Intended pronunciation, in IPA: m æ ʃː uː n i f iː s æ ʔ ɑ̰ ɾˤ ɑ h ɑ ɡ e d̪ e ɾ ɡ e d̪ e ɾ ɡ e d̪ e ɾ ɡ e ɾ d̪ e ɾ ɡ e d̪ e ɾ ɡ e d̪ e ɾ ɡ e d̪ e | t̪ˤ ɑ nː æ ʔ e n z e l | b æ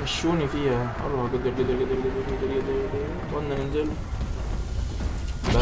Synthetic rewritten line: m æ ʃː uː n i f iː h æ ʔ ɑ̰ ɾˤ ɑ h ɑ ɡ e d̪ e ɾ ɡ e d̪ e ɾ ɡ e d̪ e ɾ ɡ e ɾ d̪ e ɾ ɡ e d̪ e ɾ ɡ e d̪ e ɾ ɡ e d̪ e | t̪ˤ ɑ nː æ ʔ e n z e l | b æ

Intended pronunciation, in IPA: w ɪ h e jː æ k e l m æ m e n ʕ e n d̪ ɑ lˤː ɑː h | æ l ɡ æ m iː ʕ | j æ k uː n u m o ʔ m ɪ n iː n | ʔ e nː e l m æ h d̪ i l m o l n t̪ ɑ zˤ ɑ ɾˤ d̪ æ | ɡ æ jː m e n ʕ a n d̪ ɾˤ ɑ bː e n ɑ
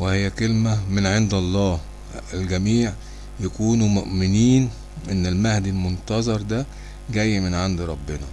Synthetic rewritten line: w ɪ h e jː æ k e l m æ m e n ʕ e n d̪ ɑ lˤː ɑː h | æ l ɡ æ m iː ʕ | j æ k uː n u m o ʔ m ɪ n iː n | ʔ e nː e l m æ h d̪ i l m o n t̪ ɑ zˤ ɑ ɾˤ d̪ æ | ɡ æ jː m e n ʕ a n d̪ ɾˤ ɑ bː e n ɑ

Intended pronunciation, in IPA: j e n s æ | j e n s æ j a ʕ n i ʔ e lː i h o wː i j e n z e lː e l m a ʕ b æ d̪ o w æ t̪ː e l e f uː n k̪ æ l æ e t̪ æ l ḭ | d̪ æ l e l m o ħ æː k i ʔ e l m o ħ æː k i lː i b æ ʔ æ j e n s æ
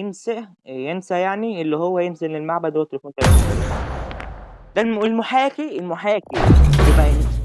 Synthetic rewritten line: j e n s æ | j e n s æ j a ʕ n i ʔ e lː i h o wː æ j e n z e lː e l m a ʕ b æ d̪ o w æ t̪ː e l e f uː n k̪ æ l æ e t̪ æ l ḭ | d̪ æ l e l m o ħ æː k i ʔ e l m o ħ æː k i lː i b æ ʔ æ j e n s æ

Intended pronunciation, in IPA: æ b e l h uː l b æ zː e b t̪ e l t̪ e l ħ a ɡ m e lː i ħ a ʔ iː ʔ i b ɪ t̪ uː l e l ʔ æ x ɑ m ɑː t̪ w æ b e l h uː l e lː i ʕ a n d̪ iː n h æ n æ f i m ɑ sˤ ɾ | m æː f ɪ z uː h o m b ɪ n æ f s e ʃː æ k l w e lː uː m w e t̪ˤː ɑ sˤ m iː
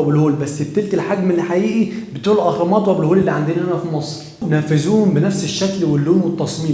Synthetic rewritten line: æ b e l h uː l b æ sː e b t̪ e l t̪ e l ħ a ɡ m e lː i ħ a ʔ iː ʔ i b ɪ t̪ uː l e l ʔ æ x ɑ m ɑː t̪ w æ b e l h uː l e lː i ʕ a n d̪ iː n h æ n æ f i m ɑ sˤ ɾ | n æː f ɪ z uː h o m b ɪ n æ f s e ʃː æ k l w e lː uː m w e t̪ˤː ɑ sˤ m iː

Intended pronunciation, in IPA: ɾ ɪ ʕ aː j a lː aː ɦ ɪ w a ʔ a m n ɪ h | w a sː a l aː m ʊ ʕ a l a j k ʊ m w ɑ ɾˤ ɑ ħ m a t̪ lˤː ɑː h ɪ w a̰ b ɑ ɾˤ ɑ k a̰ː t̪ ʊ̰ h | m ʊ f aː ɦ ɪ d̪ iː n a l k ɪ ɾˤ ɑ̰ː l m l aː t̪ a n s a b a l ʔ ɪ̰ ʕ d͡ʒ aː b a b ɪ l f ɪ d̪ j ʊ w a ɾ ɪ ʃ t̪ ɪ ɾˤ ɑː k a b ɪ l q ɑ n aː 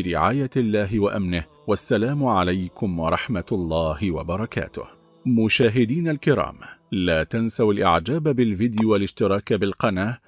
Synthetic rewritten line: ɾ ɪ ʕ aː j a lː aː ɦ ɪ w a ʔ a m n ɪ h | w a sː a l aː m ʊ ʕ a l a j k ʊ m w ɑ ɾˤ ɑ ħ m a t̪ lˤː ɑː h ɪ w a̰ b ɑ ɾˤ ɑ k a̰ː t̪ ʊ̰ h | m ʊ ʃ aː ɦ ɪ d̪ iː n a l k ɪ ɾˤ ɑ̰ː m l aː t̪ a n s a w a l ʔ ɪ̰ ʕ d͡ʒ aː b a b ɪ l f ɪ d̪ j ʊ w a l ɪ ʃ t̪ ɪ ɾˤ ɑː k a b ɪ l q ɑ n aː

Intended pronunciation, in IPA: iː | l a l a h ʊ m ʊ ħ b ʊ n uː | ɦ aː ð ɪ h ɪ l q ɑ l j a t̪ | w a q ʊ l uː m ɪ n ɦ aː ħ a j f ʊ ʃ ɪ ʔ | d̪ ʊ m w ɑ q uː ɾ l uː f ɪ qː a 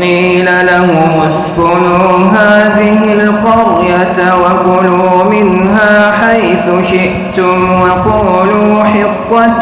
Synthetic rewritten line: iː | l a l a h ʊ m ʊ s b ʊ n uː | ɦ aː ð ɪ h ɪ l q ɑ ɾ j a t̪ | w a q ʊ l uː m ɪ n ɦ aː ħ a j θ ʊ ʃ ɪ ʔ | t̪ ʊ m w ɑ q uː l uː ħ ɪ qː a

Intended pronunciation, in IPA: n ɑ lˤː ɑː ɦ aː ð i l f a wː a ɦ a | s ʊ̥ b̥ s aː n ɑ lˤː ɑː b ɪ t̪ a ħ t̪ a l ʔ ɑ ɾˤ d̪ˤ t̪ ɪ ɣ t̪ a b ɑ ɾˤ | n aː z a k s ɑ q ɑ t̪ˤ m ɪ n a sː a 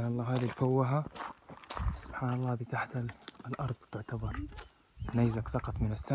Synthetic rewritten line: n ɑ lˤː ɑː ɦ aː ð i l f a wː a ɦ a | s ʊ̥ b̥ ħ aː n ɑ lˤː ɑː b ɪ t̪ a ħ t̪ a l ʔ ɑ ɾˤ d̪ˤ t̪ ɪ ʕ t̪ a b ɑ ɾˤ | n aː z a k s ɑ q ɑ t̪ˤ m ɪ n a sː a

